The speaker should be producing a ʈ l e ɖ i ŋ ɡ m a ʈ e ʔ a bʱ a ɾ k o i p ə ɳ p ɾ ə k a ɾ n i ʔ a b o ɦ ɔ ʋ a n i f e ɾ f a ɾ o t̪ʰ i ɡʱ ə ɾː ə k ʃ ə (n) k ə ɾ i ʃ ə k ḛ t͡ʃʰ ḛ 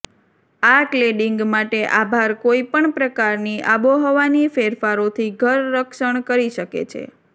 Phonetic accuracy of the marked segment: incorrect: ɳ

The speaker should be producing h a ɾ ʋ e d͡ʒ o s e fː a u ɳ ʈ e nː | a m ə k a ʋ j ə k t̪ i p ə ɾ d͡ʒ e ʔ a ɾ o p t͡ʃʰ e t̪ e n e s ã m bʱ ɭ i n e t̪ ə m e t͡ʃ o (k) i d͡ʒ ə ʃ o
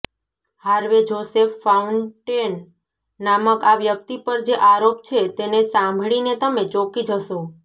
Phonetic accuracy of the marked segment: correct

